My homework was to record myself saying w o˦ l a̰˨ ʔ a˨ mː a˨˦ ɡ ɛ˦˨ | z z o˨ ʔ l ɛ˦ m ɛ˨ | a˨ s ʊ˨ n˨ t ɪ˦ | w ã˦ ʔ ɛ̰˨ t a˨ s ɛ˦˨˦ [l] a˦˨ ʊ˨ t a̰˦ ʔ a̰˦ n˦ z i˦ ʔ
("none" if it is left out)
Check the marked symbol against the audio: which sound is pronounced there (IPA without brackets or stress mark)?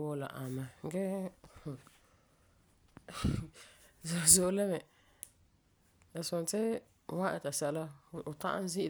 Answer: l